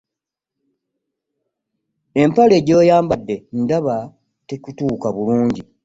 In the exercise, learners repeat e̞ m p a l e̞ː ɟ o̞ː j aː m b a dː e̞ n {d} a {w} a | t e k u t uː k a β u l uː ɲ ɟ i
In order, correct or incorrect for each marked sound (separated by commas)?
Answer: correct, incorrect